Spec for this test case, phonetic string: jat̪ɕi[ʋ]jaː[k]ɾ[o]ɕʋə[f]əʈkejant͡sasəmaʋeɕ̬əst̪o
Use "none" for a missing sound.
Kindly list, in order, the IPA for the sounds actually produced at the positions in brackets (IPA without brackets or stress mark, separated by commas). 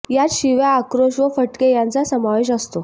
ʋ, k, o, f